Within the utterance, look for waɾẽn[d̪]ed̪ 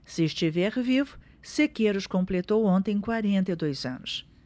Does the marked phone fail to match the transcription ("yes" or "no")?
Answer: yes